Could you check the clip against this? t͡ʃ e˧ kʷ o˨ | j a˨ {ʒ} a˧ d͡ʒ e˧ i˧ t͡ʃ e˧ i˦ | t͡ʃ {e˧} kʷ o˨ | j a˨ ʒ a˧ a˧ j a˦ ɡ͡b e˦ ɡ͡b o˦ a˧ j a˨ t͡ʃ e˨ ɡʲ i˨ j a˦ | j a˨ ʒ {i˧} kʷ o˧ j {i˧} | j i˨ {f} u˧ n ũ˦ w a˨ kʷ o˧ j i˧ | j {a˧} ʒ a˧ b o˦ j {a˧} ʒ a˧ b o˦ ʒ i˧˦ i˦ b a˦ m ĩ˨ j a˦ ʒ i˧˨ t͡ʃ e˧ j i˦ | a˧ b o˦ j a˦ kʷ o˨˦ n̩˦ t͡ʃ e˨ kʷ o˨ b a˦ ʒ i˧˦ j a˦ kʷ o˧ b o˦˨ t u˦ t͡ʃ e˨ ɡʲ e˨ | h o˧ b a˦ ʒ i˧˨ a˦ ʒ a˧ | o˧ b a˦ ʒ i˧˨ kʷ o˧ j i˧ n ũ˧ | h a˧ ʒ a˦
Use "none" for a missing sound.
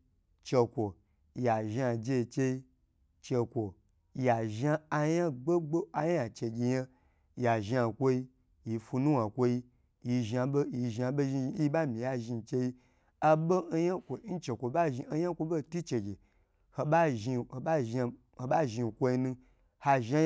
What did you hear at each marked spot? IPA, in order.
ʒ, e˧, a˧, i˧, f, i˧, i˧

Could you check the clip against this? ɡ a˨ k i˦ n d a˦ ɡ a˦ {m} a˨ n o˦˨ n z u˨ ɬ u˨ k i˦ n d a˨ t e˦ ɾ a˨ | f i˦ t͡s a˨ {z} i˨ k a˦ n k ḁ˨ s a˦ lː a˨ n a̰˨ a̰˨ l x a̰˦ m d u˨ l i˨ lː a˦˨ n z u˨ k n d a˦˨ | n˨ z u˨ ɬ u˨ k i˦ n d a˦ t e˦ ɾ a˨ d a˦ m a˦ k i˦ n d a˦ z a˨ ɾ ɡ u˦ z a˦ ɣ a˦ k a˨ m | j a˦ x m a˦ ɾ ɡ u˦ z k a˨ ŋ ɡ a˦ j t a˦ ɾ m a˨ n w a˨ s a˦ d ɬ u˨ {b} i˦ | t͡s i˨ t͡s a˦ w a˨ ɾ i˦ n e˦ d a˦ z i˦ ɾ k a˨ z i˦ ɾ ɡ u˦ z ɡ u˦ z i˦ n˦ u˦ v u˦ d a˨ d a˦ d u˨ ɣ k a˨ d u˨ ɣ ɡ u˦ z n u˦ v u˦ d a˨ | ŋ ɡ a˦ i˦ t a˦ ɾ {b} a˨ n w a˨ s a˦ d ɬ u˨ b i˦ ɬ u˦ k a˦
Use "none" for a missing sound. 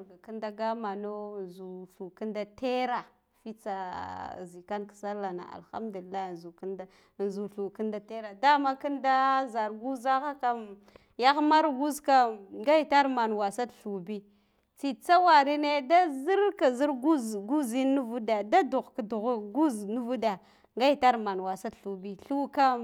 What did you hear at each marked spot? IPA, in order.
m, z, b, m

